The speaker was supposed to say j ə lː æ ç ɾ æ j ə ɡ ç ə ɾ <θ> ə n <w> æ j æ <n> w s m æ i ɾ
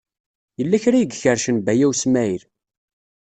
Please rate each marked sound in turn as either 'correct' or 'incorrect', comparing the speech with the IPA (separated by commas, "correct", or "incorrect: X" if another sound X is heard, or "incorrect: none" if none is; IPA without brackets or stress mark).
incorrect: ʃ, incorrect: b, incorrect: none